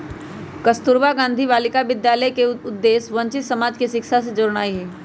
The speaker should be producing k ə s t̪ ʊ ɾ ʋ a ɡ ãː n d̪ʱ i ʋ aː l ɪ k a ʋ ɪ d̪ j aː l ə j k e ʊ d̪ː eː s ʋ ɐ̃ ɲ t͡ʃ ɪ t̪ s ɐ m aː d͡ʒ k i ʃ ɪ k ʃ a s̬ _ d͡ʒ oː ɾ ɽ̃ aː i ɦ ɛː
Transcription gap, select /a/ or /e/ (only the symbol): e